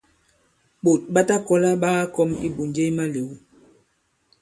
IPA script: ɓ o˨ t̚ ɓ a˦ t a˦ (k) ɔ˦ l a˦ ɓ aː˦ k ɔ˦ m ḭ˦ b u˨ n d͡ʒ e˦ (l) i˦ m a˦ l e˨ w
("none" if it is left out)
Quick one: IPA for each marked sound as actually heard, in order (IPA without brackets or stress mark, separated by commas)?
k, none